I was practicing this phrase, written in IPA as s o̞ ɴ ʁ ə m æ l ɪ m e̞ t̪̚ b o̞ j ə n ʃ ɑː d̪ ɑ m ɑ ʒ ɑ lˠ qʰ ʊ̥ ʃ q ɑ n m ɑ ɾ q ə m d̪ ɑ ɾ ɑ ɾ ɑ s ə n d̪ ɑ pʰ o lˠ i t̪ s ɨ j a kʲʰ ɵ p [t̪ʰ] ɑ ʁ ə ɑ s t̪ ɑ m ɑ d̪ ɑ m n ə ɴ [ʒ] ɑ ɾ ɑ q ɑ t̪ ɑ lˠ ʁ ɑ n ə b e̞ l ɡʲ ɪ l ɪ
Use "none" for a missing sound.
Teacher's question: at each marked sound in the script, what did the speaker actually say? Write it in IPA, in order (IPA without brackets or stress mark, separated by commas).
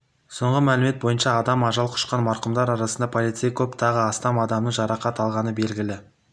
t̪ʰ, ʒ